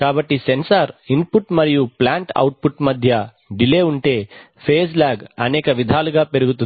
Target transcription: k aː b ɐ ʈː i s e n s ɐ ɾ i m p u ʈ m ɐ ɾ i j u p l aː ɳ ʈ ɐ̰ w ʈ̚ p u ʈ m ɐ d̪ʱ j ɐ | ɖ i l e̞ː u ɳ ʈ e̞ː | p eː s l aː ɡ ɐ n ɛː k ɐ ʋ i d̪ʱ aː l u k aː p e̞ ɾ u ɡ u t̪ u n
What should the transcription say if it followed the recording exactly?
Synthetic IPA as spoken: k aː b ɐ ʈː i s e n s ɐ ɾ i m p u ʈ m ɐ ɾ i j u p l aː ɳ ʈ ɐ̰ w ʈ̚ p u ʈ m ɐ d̪ʱ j ɐ | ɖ i l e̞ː u ɳ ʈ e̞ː | pʰ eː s l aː ɡ ɐ n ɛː k ɐ ʋ i d̪ʱ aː l u ɡ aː p e̞ ɾ u ɡ u t̪ u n